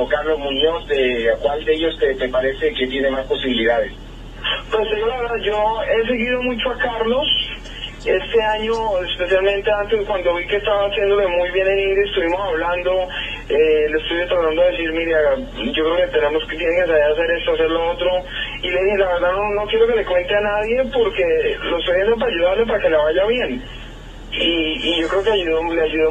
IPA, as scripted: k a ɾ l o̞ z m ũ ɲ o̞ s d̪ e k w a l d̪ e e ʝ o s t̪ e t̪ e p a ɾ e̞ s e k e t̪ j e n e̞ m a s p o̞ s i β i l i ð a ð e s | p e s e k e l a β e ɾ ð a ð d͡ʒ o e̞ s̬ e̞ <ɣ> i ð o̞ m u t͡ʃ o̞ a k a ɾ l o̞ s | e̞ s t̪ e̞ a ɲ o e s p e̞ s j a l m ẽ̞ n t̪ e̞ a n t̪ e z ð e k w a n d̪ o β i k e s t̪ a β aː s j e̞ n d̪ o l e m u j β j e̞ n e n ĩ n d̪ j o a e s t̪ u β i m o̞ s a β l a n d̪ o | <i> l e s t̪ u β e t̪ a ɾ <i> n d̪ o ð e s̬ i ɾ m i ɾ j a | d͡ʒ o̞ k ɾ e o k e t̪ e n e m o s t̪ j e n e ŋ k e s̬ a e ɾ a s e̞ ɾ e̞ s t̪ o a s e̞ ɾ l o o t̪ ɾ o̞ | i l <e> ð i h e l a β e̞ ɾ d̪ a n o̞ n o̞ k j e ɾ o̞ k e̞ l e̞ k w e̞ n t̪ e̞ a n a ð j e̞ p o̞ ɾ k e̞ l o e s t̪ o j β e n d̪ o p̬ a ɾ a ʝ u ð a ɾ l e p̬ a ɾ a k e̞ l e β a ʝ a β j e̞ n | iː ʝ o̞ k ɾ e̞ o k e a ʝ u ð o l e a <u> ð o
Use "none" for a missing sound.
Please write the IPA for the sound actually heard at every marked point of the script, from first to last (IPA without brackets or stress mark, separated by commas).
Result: ɣ, e, a, e, u